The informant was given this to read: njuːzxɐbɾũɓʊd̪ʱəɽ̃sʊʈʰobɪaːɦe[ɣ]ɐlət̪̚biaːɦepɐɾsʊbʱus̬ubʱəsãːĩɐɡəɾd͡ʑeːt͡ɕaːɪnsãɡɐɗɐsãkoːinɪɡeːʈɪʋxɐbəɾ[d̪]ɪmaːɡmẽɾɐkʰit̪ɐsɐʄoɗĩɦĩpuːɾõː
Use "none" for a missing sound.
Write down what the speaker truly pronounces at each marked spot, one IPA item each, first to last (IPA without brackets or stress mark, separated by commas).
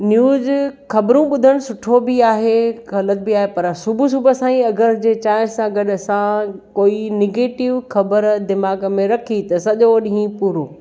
ɣ, d̪